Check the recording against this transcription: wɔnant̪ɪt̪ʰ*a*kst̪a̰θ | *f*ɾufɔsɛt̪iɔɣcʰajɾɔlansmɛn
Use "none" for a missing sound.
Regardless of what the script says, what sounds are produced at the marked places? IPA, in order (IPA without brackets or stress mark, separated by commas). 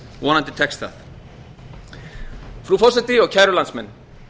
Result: ɛ, f